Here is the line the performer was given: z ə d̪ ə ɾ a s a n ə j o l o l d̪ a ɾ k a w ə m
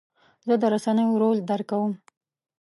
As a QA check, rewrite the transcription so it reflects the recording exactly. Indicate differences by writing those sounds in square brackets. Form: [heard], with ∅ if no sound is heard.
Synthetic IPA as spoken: z ə d̪ ə ɾ a s a n ə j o [ɾ] o l d̪ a ɾ k a w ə m